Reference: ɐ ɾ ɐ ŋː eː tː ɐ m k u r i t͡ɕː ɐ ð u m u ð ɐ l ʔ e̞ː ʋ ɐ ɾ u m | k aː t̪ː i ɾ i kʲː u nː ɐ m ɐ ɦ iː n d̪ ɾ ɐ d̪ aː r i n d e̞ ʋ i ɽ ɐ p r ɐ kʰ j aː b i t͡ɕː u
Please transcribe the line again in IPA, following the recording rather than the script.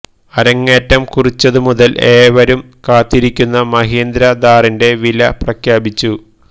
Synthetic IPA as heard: ɐ ɾ ɐ ŋː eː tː ɐ m k u r i t͡ɕː ɐ ð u m u ð ɐ l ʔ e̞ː ʋ ɐ ɾ u m | k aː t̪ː i ɾ i kʲː u nː ɐ m ɐ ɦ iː n d̪ ɾ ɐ d̪ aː r i n d e̞ ʋ i l ɐ p r ɐ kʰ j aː b i t͡ɕː u